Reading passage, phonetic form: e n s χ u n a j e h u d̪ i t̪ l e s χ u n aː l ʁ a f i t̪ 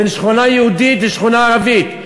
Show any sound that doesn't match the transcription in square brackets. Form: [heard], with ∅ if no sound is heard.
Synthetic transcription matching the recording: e n [ʃ] χ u n a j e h u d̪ i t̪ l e [ʃ] χ u n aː [∅] ʁ a [v] i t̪